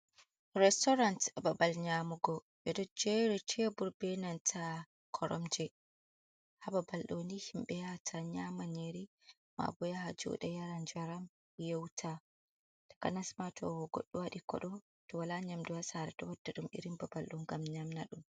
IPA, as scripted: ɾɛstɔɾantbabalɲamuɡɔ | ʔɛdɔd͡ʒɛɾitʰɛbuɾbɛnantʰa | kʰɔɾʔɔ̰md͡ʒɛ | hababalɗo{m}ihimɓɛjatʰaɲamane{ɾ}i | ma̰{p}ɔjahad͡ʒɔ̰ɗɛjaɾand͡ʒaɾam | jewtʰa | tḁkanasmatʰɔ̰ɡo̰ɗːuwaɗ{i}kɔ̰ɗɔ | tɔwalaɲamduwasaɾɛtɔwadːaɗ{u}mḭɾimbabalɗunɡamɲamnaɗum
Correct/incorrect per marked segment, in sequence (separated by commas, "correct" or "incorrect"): incorrect, correct, incorrect, correct, correct